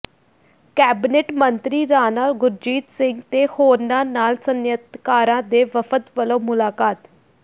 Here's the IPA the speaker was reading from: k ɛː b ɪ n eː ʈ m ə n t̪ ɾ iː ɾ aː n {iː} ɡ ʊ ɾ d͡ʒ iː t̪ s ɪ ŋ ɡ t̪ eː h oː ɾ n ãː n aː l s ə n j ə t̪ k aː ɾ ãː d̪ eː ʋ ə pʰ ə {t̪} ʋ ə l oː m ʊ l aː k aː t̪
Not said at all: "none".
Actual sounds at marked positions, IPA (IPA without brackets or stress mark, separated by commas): aː, t̪